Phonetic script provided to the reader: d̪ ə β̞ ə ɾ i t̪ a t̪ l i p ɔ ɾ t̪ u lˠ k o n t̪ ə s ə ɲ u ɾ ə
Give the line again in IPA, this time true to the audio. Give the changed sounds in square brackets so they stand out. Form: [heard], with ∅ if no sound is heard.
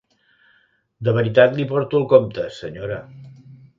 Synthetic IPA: d̪ ə β̞ ə ɾ i t̪ a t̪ l i p ɔ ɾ t̪ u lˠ k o [m] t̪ ə s ə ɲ [o] ɾ ə